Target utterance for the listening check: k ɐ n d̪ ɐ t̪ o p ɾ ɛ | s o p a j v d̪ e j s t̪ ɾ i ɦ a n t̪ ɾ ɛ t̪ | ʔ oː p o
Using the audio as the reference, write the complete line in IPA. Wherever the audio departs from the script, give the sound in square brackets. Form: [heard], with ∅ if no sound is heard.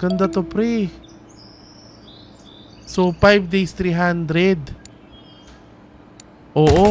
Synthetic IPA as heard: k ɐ n d̪ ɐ t̪ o p ɾ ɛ | s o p a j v d̪ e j s t̪ ɾ i ɦ a n [d̪] ɾ ɛ [d̪] | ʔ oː [ʔ] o